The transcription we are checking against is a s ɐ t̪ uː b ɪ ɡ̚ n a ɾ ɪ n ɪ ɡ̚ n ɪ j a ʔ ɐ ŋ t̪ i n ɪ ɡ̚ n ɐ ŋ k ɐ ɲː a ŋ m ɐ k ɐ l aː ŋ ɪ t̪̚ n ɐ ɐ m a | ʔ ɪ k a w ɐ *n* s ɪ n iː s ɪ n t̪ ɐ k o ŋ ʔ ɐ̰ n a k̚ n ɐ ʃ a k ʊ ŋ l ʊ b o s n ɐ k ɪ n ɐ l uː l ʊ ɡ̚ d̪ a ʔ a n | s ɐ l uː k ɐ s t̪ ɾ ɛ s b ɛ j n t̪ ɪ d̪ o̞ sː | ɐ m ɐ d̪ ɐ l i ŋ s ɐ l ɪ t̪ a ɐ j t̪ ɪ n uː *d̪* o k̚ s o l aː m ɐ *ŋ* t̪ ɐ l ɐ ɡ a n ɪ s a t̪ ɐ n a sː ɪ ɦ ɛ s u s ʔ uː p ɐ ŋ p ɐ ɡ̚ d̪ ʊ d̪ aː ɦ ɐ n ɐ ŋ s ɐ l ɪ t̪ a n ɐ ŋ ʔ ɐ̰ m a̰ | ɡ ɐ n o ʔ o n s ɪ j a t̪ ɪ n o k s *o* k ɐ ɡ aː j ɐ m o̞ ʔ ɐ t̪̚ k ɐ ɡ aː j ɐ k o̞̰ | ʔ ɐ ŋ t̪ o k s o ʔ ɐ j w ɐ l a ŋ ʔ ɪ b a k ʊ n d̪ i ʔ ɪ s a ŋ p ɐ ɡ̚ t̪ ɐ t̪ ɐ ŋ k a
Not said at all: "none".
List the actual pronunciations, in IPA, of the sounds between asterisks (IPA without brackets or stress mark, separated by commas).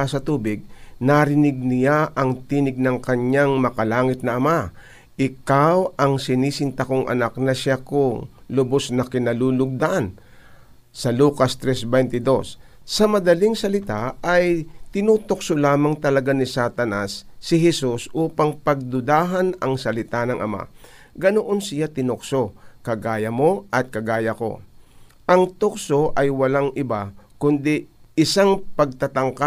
ŋ, t̪, ŋ, o